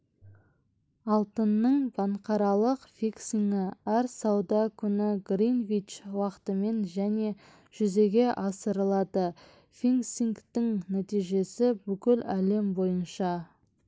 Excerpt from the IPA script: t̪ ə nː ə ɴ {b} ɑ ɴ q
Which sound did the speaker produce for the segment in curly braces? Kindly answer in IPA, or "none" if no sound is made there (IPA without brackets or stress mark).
b